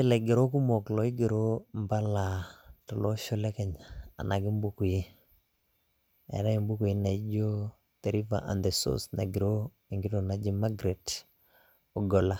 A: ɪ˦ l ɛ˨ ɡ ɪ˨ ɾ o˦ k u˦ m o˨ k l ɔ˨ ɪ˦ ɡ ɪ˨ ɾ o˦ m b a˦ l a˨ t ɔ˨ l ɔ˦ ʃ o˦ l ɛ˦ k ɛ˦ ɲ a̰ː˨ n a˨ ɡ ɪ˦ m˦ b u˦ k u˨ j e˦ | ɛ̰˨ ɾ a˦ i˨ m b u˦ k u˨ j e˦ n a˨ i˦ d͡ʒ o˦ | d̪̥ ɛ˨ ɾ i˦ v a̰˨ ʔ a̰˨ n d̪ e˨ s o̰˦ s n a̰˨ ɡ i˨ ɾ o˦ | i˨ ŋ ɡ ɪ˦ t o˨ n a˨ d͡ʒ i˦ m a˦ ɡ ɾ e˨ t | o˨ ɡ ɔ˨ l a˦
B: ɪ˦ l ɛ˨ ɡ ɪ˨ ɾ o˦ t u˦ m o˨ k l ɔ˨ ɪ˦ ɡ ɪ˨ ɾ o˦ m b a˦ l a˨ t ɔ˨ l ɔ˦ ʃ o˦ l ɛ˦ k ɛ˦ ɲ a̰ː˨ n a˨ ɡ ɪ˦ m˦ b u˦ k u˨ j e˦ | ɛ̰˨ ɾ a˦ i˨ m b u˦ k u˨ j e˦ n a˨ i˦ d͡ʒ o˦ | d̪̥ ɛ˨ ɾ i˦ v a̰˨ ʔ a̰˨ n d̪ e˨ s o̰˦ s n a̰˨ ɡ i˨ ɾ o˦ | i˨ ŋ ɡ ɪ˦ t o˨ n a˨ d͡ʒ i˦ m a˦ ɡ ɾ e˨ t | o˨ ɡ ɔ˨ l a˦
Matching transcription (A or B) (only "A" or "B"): A